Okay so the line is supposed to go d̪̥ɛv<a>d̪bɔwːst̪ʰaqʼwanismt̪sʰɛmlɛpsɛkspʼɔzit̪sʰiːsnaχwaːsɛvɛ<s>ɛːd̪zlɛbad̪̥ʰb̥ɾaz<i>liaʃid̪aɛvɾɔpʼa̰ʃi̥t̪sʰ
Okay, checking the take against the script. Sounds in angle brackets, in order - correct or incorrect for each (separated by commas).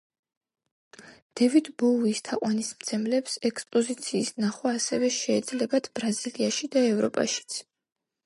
incorrect, incorrect, correct